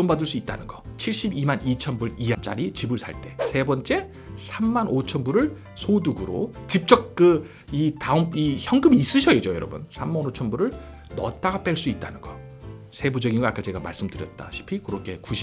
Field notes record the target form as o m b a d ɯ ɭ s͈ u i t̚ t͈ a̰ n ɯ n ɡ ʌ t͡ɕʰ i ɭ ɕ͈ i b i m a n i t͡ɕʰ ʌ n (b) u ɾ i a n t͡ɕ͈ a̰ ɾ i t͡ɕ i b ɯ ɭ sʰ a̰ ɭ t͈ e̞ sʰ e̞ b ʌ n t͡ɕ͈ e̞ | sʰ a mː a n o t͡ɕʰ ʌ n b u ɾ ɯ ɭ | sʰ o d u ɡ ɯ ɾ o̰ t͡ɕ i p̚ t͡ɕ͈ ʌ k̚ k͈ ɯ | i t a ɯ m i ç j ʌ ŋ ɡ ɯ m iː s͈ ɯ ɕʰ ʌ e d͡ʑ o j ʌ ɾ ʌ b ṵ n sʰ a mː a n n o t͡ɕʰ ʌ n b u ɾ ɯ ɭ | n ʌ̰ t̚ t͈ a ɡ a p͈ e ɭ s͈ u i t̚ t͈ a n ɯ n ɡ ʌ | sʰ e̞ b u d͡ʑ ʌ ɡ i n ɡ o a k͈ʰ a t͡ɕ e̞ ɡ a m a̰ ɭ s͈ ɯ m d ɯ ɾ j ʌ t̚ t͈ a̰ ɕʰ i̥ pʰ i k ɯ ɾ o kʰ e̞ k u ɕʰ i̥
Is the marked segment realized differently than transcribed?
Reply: no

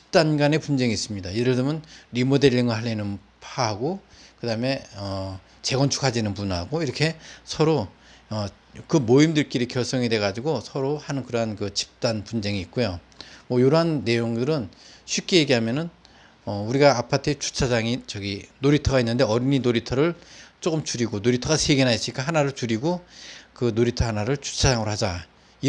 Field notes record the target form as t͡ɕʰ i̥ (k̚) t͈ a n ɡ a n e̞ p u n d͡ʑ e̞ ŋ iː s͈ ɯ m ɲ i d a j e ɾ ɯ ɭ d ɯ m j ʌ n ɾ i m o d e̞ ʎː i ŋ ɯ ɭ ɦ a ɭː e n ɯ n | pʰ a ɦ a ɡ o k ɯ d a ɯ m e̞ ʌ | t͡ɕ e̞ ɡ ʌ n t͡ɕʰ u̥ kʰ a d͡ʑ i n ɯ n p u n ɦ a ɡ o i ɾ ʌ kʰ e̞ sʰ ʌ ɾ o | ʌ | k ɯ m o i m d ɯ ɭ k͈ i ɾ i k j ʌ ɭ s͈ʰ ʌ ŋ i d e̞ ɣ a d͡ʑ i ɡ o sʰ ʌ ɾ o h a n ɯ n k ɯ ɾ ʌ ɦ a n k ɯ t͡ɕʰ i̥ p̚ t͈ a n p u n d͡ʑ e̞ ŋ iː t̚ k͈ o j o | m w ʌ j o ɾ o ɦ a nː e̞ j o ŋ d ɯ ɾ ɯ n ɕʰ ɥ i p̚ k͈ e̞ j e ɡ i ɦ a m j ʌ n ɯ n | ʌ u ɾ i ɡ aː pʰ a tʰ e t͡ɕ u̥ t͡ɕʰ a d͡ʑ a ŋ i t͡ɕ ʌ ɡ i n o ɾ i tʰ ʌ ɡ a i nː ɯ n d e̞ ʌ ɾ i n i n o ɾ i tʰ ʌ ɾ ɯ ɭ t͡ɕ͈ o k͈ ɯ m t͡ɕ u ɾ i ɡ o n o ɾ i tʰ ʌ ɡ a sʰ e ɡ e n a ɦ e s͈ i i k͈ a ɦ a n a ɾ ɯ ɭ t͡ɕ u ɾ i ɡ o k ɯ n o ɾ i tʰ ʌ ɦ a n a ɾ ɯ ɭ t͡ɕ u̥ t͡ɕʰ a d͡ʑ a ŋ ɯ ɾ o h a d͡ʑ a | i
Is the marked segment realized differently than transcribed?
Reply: yes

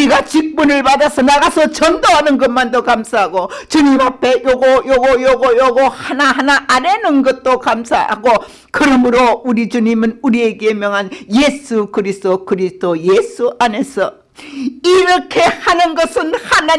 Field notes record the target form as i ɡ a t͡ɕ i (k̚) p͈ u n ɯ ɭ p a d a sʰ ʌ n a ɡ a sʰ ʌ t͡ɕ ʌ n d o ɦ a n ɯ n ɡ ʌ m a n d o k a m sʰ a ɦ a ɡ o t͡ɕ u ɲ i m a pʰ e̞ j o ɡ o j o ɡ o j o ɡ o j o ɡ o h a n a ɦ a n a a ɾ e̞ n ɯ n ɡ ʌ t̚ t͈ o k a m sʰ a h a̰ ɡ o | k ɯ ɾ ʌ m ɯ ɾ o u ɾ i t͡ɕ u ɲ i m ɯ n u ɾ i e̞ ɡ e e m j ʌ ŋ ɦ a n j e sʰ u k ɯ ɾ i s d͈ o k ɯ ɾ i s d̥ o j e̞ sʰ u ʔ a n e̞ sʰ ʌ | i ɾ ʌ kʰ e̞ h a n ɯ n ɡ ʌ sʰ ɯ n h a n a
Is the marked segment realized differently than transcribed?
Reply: no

